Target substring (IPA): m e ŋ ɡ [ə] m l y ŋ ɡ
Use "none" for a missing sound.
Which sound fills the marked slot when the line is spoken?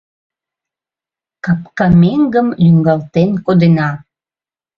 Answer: ə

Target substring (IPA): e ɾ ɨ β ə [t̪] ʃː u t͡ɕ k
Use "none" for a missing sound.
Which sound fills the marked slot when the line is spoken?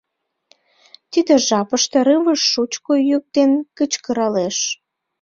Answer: none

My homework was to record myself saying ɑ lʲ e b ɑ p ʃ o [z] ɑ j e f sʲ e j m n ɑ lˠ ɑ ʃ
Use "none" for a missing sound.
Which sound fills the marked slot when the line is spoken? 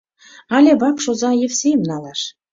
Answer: z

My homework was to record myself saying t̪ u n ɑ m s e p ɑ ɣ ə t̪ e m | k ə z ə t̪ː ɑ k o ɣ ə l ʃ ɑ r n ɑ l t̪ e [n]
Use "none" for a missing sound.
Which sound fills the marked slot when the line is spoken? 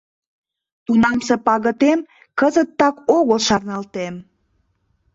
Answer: m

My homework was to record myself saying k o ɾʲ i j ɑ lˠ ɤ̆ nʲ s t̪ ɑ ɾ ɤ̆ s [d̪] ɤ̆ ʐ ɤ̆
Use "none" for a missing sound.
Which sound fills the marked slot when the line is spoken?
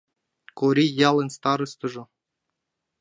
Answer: t̪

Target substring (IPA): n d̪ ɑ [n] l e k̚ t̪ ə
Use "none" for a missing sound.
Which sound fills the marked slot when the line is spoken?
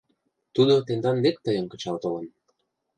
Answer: n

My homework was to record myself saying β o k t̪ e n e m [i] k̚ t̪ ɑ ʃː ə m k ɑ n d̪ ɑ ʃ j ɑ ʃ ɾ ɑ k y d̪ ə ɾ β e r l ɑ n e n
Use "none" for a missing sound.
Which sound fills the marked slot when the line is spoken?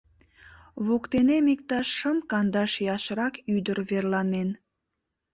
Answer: i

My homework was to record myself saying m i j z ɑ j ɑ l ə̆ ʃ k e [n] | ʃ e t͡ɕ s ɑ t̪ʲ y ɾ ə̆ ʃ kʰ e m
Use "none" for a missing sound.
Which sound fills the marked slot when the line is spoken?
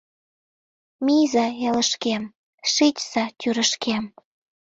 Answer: m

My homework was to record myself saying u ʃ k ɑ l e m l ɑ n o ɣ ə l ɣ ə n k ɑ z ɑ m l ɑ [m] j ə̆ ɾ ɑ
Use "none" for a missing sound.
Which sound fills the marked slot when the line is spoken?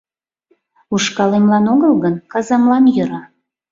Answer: n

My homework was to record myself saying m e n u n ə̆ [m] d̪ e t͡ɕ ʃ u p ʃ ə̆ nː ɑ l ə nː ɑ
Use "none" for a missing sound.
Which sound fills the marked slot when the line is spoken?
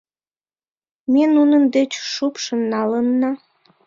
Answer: n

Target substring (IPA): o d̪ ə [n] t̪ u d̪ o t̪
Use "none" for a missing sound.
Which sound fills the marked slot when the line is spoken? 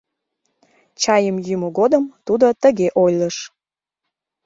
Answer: m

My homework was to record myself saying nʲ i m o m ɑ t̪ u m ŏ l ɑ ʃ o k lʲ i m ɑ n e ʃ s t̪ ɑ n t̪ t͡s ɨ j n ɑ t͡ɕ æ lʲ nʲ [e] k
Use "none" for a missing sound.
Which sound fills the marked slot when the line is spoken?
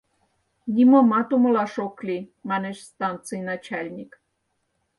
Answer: i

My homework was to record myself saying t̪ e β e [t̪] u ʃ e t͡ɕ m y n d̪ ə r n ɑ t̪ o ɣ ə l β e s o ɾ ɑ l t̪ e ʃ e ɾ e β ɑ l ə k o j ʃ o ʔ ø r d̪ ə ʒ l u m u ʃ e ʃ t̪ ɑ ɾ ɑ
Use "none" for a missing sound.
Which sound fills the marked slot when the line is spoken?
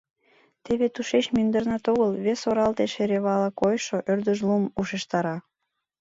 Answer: t̪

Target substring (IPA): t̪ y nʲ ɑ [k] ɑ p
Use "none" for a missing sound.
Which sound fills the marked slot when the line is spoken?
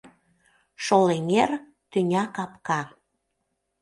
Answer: k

